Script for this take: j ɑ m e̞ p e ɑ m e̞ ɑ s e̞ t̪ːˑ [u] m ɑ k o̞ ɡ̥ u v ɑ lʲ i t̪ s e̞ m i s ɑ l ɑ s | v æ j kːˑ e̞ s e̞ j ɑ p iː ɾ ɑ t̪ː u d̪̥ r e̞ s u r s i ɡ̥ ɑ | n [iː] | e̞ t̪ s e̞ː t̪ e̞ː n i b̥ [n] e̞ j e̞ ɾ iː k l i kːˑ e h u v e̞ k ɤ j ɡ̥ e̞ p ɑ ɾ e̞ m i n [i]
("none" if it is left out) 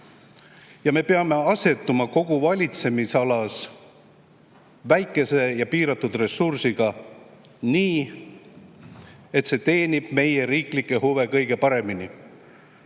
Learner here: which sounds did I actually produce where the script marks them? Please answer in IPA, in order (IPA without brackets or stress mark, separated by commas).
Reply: u, iː, m, i